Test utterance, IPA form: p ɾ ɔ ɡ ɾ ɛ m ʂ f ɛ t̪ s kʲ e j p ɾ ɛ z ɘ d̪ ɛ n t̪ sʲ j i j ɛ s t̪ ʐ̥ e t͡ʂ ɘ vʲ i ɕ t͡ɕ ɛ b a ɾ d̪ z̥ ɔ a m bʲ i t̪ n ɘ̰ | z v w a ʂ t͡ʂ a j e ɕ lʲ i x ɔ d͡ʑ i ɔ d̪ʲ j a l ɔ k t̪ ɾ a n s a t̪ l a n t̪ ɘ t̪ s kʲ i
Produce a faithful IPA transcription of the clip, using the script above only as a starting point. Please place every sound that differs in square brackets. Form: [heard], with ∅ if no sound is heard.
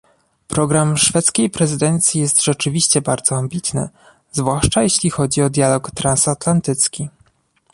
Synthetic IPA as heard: p ɾ ɔ ɡ ɾ [a] m ʂ f ɛ t̪ s kʲ e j p ɾ ɛ z ɘ d̪ ɛ n t̪ sʲ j i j ɛ s t̪ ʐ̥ [ɛ] t͡ʂ ɘ vʲ i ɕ t͡ɕ ɛ b a ɾ d̪ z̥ ɔ a m bʲ i t̪ n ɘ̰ | z v w a ʂ t͡ʂ a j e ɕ lʲ i x ɔ d͡ʑ i ɔ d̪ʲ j a l ɔ k t̪ ɾ a n s a t̪ l a n t̪ ɘ t̪ s kʲ i